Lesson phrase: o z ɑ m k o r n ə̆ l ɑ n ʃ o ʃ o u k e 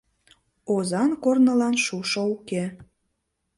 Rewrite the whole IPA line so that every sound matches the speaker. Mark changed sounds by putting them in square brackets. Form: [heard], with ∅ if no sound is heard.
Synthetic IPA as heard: o z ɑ [n] k o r n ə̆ l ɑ n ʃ [u] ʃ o u k e

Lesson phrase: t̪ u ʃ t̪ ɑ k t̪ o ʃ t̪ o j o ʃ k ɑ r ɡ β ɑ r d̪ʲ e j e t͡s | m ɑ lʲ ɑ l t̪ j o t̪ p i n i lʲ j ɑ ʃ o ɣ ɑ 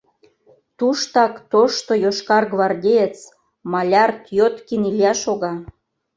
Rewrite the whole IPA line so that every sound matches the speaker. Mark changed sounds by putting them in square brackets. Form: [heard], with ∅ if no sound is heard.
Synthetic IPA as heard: t̪ u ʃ t̪ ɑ k t̪ o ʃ t̪ o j o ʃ k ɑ r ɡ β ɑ r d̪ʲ e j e t͡s | m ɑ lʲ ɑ [r] t̪ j o t̪ [k] i n i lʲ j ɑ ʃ o ɣ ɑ

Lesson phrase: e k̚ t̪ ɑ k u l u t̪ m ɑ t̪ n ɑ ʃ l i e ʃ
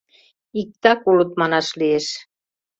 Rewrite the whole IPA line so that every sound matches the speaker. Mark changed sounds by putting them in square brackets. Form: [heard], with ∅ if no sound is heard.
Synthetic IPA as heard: [i] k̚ t̪ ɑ k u l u t̪ m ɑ [∅] n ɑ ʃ l i e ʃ

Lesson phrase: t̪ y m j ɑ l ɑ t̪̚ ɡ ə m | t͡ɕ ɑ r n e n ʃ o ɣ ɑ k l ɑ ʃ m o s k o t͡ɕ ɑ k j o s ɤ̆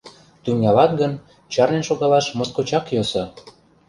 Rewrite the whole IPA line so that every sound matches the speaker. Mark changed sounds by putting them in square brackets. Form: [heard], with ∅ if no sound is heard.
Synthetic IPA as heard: t̪ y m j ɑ l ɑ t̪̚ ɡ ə [n] | t͡ɕ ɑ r n e n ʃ o ɣ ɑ [∅] l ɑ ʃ m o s k o t͡ɕ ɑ k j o s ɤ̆

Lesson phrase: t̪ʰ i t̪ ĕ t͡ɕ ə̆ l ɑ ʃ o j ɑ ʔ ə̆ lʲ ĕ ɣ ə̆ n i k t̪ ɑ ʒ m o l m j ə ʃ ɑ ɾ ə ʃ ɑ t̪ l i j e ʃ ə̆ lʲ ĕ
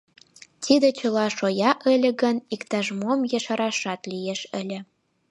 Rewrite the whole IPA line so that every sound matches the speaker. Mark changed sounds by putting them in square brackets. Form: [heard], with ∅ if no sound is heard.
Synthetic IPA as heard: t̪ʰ i [d̪] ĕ t͡ɕ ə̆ l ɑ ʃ o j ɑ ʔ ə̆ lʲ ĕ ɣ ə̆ n i k t̪ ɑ ʒ m o [∅] m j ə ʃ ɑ ɾ [ɑ] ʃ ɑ t̪ l i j e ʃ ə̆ lʲ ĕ

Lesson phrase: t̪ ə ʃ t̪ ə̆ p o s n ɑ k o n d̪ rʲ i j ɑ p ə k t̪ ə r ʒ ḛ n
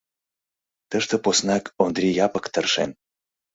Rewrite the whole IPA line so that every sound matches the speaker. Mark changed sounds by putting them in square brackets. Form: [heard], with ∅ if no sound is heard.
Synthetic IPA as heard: t̪ ə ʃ t̪ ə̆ p o s n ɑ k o n d̪ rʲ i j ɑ p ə k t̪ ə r [ʃ] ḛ n

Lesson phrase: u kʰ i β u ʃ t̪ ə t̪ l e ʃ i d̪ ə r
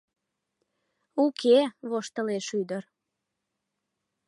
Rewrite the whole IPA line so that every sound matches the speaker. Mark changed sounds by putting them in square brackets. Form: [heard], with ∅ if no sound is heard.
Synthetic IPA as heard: u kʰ [e] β [o] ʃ t̪ ə [∅] l e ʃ [y] d̪ ə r

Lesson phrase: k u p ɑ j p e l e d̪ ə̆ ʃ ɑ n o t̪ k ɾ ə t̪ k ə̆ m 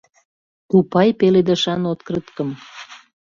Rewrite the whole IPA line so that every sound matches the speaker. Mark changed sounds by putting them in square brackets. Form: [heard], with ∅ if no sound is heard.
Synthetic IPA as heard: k u p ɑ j p e l e d̪ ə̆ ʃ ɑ n o t̪ k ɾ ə t̪ k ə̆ m

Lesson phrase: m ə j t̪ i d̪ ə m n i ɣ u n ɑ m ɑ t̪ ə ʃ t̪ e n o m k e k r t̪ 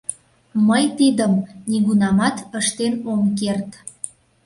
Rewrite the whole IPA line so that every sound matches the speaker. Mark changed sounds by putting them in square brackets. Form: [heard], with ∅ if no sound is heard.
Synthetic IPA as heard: m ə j t̪ i d̪ ə m n i ɣ u n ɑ m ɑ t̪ ə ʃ t̪ e n o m k e [∅] r t̪

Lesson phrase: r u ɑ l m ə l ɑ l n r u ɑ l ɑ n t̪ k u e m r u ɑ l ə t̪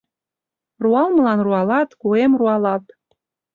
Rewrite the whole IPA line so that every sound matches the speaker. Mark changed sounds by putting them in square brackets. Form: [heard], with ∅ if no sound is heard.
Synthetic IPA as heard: r u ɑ l m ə l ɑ [∅] n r u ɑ l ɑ [∅] t̪ k u e m r u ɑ l [ɑ] t̪

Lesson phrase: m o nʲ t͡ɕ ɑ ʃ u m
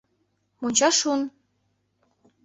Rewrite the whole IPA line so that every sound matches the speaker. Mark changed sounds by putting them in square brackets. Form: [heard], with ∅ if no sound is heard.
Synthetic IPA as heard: m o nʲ t͡ɕ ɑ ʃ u [n]

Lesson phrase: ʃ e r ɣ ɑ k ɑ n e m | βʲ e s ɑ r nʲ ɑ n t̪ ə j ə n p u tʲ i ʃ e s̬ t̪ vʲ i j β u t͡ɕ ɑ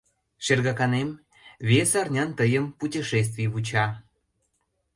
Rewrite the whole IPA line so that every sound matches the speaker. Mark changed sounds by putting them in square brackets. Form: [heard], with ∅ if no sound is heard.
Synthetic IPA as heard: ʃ e r ɣ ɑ k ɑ n e m | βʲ e s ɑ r nʲ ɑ n t̪ ə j ə [m] p u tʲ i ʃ e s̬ t̪ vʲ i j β u t͡ɕ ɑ

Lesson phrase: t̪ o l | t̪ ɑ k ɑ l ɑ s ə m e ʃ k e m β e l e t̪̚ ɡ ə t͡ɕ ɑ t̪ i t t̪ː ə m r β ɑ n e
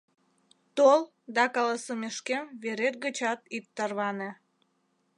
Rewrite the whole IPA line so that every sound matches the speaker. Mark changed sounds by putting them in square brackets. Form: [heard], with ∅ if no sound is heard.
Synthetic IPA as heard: t̪ o l | [d̪] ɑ k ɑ l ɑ s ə m e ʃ k e m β e [ɾ] e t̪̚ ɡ ə t͡ɕ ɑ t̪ i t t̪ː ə [∅] r β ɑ n e

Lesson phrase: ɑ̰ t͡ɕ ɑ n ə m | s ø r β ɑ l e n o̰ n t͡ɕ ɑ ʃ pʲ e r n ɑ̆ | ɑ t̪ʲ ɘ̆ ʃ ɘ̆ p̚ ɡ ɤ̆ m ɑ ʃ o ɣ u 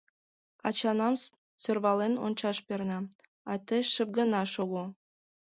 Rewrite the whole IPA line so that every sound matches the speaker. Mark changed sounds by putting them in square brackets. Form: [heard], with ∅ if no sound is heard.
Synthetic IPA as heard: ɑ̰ t͡ɕ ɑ n [ɑ] m | s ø r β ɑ l e n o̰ n t͡ɕ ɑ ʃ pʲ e r n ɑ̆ | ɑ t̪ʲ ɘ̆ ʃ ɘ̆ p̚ ɡ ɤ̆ [n] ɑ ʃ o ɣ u

